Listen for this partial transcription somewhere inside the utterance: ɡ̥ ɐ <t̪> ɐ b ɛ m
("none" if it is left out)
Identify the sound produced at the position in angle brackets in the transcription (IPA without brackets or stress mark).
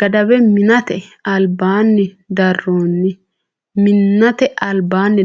d̪